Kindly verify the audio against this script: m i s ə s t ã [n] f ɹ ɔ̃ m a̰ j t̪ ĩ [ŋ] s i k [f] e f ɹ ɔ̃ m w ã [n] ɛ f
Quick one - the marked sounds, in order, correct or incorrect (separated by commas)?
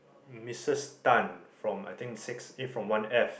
correct, correct, incorrect, correct